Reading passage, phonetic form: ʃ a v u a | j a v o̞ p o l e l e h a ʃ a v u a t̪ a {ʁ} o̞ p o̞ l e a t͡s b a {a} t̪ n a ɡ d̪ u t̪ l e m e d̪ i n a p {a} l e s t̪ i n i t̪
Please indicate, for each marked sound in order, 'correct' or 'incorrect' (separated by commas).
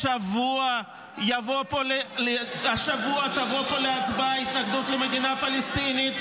incorrect, incorrect, correct